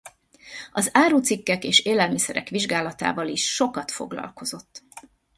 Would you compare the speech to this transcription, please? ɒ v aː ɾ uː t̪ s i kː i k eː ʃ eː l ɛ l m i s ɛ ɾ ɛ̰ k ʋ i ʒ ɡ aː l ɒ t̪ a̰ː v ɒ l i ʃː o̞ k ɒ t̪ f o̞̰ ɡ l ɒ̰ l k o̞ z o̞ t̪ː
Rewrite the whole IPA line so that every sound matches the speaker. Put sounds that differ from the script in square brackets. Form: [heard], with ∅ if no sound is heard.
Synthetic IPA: ɒ [z] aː ɾ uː t̪ s i kː [ɛ] k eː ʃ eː l ɛ l m i s ɛ ɾ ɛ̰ k ʋ i ʒ ɡ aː l ɒ t̪ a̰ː v ɒ l i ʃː o̞ k ɒ t̪ f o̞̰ ɡ l ɒ̰ l k o̞ z o̞ t̪ː